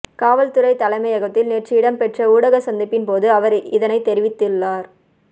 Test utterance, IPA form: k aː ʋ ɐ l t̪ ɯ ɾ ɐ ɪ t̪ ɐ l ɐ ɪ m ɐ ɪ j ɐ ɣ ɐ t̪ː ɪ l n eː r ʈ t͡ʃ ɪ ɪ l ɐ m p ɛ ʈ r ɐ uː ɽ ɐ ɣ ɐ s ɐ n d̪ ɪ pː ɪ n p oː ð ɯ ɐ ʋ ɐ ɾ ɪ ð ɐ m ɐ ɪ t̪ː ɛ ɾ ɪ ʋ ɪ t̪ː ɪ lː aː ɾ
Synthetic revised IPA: k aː ʋ ɐ l t̪ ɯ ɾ ɐ ɪ t̪ ɐ l ɐ ɪ m ɐ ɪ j ɐ ɣ ɐ t̪ː ɪ l n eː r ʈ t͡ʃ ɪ ɪ ɽ ɐ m p ɛ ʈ r ɐ uː ɽ ɐ ɣ ɐ s ɐ n d̪ ɪ pː ɪ n p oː ð ɯ ɐ ʋ ɐ ɾ ɪ ð ɐ n ɐ ɪ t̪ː ɛ ɾ ɪ ʋ ɪ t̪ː ɪ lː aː ɾ